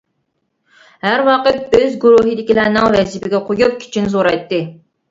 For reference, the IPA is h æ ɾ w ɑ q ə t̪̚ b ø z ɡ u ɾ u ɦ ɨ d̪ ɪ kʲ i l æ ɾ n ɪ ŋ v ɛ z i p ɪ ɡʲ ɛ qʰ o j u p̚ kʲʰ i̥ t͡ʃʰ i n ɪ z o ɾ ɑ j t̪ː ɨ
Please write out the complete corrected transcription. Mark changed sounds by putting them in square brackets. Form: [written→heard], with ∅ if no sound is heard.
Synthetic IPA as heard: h æ ɾ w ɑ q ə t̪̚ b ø z ɡ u ɾ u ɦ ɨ d̪ ɪ kʲ i l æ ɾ n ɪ ŋ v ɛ z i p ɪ ɡʲ ɛ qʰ o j u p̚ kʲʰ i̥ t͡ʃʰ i n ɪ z o ɾ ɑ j t̪ː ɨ